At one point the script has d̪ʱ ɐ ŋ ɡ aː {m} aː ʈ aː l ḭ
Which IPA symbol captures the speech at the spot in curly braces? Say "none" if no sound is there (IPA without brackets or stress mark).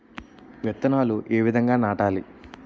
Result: n